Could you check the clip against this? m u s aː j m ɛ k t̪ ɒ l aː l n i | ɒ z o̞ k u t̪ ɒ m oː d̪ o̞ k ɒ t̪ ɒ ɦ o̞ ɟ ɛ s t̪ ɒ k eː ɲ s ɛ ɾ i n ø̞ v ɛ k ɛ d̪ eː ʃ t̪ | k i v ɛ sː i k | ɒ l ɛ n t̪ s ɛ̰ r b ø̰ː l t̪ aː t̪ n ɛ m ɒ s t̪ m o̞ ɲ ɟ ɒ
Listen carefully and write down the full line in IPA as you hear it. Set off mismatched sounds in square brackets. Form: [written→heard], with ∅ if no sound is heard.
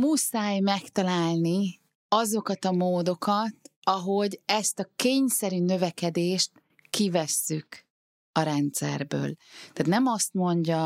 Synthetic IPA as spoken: m u s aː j m ɛ k t̪ ɒ l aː l n i | ɒ z o̞ k [u→ɒ] t̪ ɒ m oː d̪ o̞ k ɒ t̪ ɒ ɦ o̞ ɟ ɛ s t̪ ɒ k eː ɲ s ɛ ɾ [i→y] n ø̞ v ɛ k ɛ d̪ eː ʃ t̪ | k i v ɛ sː [i→y] k | ɒ [l→ɾ] ɛ n t̪ s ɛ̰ r b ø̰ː l t̪ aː t̪ n ɛ m ɒ s t̪ m o̞ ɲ ɟ ɒ